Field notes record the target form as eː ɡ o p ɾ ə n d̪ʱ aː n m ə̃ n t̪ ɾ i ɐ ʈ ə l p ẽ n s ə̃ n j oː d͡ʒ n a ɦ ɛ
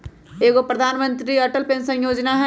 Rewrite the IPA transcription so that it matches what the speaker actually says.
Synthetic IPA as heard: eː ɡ o p ɾ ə d̪ʱ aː n m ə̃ n t̪ ɾ i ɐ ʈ ə l p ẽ n s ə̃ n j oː d͡ʒ n a ɦ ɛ